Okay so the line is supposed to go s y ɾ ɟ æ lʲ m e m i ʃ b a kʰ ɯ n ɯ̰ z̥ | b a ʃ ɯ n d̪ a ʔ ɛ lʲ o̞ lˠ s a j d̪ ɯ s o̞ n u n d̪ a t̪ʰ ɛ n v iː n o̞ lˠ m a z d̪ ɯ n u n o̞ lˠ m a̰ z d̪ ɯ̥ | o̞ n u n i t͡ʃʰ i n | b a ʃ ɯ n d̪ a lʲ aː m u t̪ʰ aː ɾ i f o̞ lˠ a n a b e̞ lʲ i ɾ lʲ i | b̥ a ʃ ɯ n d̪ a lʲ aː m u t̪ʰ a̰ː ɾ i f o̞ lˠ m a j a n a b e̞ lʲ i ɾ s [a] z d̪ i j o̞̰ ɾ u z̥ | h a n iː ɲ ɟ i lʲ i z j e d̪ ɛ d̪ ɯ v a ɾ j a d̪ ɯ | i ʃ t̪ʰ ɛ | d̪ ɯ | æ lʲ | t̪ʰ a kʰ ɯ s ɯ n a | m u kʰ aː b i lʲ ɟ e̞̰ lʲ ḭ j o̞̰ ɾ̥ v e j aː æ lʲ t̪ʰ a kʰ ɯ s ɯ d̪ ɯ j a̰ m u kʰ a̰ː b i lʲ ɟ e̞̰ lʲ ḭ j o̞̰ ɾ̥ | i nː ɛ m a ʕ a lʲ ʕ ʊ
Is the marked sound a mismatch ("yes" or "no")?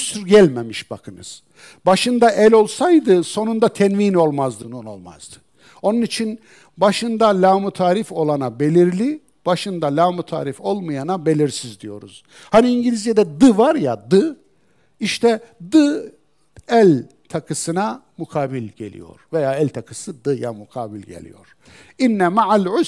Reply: yes